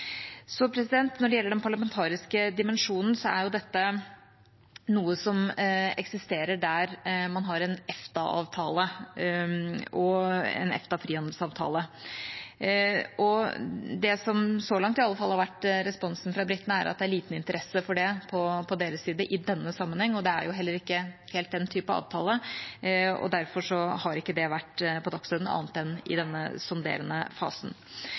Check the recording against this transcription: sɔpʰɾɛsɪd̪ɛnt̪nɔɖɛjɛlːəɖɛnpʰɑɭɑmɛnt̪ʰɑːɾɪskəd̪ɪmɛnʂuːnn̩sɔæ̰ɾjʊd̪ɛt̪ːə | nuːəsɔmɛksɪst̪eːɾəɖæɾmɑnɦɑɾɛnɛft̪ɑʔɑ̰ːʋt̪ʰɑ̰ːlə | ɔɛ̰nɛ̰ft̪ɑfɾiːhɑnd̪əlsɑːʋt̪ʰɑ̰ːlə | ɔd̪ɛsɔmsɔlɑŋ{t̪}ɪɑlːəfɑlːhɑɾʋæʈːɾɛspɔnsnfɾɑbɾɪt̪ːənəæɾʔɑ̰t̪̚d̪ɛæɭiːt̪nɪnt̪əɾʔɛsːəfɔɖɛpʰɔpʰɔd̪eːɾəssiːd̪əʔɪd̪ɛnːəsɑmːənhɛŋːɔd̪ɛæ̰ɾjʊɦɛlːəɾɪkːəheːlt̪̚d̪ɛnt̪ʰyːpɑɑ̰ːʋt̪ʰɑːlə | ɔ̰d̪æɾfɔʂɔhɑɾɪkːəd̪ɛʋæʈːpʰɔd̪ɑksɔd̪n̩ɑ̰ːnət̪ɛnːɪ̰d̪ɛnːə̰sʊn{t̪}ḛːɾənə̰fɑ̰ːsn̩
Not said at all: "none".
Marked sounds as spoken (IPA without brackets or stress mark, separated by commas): t̪, d̪